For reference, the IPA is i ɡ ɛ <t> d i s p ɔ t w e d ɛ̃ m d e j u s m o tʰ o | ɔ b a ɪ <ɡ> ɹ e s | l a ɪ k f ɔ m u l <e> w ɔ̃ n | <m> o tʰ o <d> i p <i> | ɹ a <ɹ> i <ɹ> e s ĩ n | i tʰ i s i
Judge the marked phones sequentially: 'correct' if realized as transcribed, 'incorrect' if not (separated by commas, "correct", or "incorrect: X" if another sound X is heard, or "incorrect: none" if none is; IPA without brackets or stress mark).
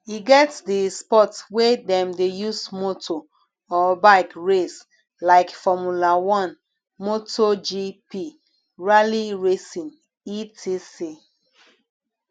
correct, incorrect: k, incorrect: a, correct, incorrect: d͡ʒ, correct, incorrect: l, correct